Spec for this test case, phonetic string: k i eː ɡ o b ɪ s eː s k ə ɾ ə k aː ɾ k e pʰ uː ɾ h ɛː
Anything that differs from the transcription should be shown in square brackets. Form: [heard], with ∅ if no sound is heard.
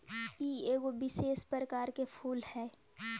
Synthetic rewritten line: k i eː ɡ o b ɪ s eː s [p] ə ɾ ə k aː ɾ k e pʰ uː [l] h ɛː